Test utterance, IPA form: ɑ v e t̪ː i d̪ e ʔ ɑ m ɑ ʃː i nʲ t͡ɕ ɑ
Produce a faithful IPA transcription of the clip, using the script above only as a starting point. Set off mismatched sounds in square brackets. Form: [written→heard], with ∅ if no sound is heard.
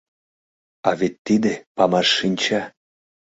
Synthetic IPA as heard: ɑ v e t̪ː i d̪ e [ʔ→p] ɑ m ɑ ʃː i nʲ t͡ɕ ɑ